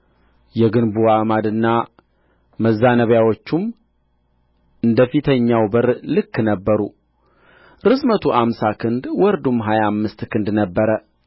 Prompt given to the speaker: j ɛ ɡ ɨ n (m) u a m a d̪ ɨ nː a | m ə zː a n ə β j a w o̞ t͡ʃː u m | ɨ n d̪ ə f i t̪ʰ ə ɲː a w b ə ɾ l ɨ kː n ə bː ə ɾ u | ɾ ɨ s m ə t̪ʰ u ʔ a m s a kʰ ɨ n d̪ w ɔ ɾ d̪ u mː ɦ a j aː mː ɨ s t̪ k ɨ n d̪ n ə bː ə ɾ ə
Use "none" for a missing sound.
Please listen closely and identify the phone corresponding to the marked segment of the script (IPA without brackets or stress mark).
b